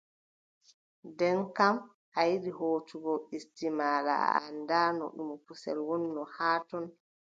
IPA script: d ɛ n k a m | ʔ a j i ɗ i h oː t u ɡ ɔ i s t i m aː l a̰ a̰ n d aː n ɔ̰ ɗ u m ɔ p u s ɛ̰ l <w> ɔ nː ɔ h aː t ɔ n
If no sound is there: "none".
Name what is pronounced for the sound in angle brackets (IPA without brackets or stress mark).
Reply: w